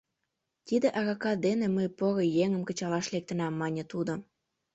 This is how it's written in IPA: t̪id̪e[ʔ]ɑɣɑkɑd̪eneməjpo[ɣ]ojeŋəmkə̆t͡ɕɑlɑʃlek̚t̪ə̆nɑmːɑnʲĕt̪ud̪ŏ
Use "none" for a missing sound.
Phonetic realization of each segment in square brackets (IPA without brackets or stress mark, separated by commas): ʔ, ɣ